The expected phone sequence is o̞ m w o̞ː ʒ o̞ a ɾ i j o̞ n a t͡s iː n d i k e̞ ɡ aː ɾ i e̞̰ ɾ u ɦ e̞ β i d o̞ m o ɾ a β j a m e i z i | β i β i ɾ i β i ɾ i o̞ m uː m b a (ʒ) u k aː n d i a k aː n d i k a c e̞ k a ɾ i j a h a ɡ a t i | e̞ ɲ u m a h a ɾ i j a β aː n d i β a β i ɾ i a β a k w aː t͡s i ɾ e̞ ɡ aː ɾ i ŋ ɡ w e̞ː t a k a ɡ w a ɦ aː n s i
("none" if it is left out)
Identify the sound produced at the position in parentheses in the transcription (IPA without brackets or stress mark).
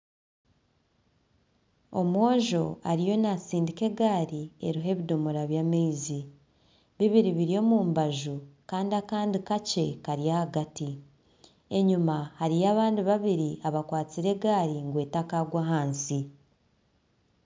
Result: ʒ